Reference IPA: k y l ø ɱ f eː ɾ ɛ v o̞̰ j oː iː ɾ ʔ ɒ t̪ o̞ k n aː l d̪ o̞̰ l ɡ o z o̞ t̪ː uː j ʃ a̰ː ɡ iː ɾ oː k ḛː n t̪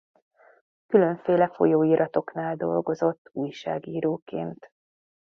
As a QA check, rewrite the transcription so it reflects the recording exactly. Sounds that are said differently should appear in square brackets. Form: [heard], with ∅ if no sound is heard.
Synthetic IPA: k y l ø ɱ f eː [l] ɛ [f] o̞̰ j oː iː ɾ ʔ ɒ t̪ o̞ k n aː l d̪ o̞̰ l ɡ o z o̞ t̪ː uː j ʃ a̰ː ɡ iː ɾ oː k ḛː n t̪